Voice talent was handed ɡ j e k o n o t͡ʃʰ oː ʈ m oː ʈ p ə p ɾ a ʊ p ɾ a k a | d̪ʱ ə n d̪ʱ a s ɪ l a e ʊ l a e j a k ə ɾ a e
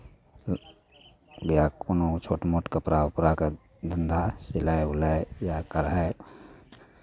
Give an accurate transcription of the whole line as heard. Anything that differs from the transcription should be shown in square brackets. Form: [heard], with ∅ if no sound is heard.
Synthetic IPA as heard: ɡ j [a] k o n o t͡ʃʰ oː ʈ m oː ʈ [k] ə p ɾ a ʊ p ɾ a k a | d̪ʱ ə n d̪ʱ a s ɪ l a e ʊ l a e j a k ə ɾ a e

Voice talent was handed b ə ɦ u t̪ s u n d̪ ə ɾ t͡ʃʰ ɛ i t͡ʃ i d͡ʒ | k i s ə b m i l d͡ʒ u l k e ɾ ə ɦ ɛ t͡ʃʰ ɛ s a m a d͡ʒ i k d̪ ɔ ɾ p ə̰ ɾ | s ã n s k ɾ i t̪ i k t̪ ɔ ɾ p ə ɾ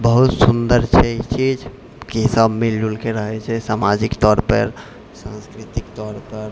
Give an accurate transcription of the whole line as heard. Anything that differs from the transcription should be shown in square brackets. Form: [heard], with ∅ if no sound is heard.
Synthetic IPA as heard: b ə ɦ u t̪ s u n d̪ ə ɾ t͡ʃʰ ɛ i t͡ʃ i d͡ʒ | k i s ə b m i l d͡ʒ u l k e ɾ ə ɦ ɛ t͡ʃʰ ɛ s a m a d͡ʒ i k [t̪] ɔ ɾ p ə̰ ɾ | s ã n s k ɾ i t̪ i k t̪ ɔ ɾ p ə ɾ

